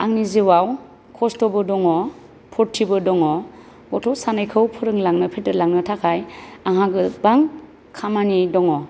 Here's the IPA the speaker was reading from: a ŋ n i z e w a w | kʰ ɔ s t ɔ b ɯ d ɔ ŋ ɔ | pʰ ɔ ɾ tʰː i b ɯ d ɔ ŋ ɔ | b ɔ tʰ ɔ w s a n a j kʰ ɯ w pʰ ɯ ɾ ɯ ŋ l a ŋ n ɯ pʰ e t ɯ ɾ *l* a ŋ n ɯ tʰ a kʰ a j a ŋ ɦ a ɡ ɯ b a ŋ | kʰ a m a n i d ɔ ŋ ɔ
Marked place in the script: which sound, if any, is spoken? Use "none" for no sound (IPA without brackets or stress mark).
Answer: l